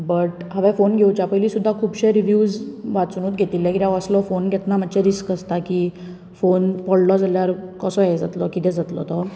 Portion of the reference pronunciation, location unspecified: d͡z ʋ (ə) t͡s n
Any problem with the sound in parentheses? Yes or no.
yes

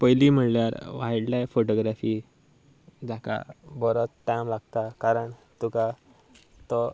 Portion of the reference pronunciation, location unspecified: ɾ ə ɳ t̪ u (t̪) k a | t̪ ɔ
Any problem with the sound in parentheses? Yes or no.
yes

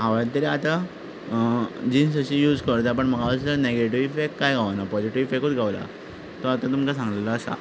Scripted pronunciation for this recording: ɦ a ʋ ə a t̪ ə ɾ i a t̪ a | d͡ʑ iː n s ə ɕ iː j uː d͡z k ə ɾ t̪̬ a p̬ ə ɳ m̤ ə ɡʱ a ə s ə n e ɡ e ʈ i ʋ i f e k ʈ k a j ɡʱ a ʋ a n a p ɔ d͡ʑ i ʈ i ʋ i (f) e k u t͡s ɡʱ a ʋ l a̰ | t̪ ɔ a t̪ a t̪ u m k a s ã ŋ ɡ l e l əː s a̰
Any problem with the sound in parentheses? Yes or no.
no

